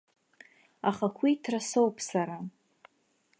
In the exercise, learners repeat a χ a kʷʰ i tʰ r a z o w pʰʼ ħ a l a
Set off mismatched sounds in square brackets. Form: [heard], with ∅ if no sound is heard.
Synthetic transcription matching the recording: a χ a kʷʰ i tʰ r a [s] o w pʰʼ [s] a [ɾ] a